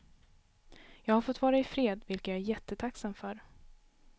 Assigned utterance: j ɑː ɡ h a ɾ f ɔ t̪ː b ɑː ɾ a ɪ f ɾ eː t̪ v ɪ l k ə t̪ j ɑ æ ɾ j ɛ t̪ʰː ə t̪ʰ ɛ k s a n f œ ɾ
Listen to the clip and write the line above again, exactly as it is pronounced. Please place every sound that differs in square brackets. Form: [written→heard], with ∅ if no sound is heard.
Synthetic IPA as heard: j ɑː ɡ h a ɾ f ɔ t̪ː [b→v] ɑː ɾ a ɪ f ɾ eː [t̪→d̪] v ɪ l k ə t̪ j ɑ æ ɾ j ɛ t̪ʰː ə t̪ʰ [ɛ→a] k s a [n→m] f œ ɾ